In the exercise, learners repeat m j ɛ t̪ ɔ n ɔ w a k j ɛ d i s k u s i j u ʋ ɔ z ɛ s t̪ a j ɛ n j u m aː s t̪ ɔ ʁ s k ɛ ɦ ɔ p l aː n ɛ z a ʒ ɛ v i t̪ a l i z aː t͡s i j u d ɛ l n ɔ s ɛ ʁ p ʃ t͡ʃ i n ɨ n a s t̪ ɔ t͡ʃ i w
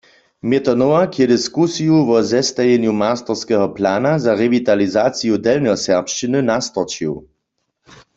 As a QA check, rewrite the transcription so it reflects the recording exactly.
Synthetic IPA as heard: m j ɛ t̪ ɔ n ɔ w a k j ɛ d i s k u s i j u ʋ ɔ z ɛ s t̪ a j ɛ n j u m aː s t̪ ɔ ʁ s k ɛ ɦ ɔ p l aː n a z a ʁ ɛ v i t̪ a l i z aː t͡s i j u d ɛ l n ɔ s ɛ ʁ p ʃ t͡ʃ i n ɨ n a s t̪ ɔ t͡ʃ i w

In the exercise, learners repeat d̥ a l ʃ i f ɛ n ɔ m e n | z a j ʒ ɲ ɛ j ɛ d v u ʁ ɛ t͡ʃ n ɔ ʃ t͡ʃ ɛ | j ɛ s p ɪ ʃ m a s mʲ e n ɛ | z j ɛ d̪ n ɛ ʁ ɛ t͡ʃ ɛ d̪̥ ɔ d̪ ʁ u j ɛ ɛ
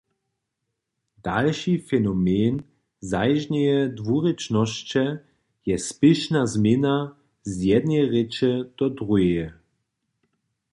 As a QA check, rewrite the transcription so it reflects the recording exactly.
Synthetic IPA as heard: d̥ a l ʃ i f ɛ n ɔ m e n | z a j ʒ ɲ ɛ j ɛ d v u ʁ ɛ t͡ʃ n ɔ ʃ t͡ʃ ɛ | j ɛ s p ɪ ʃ n a z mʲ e n a | z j ɛ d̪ n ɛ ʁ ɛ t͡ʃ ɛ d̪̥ ɔ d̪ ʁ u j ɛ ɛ

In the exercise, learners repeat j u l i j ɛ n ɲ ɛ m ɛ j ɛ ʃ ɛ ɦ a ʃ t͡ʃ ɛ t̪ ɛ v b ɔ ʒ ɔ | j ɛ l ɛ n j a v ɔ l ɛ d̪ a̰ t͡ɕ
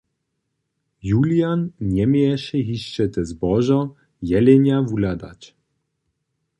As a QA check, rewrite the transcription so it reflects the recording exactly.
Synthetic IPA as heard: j u l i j a n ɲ ɛ m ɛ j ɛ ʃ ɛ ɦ i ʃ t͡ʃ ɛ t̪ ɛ z b ɔ ʒ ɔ | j ɛ l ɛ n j a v u l a d̪ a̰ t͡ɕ

